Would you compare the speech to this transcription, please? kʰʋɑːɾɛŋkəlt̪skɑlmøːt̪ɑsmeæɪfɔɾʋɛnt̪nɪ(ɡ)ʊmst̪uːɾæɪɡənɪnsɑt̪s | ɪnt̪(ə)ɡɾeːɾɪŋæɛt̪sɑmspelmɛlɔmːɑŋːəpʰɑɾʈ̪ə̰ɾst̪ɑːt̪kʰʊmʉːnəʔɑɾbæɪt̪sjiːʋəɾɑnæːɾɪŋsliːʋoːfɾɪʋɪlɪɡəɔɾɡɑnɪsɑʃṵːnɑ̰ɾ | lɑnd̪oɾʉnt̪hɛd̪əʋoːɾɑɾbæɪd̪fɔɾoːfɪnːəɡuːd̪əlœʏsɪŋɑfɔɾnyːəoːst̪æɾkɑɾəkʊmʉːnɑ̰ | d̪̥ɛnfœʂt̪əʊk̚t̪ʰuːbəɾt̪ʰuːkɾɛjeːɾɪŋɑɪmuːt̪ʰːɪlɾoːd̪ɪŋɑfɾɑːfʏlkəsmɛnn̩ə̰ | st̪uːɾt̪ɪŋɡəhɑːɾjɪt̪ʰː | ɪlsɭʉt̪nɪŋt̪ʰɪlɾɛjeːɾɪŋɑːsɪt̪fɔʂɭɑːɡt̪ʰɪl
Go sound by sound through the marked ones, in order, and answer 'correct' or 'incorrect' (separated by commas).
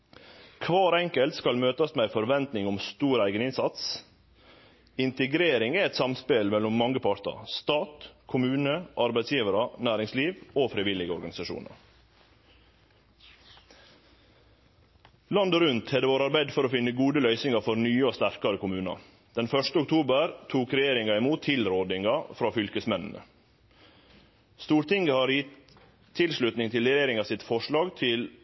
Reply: incorrect, correct